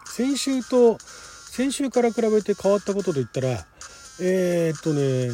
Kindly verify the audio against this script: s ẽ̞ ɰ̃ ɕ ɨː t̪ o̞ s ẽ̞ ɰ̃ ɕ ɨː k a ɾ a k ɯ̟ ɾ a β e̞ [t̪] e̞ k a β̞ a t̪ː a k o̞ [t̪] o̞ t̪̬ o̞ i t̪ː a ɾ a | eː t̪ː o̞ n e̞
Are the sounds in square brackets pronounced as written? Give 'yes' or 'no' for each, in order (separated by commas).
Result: yes, yes